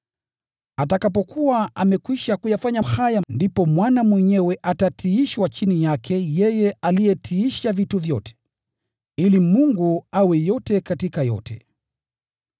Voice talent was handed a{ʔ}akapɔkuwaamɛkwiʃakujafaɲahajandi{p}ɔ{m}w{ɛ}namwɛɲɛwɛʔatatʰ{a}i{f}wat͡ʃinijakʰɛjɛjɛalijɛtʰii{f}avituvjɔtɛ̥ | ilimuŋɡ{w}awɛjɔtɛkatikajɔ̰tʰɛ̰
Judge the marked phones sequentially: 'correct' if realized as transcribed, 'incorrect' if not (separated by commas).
incorrect, correct, correct, incorrect, incorrect, incorrect, incorrect, incorrect